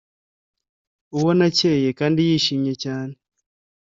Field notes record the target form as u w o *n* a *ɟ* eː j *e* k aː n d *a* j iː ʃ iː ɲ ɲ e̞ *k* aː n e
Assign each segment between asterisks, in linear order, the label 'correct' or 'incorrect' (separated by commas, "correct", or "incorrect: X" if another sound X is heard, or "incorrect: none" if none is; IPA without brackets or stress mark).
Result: correct, incorrect: c, correct, incorrect: i, incorrect: c